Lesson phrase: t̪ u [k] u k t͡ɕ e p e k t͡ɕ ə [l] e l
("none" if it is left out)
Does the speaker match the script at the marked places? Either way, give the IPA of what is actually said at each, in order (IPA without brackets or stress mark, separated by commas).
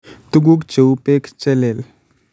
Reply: ɡ, l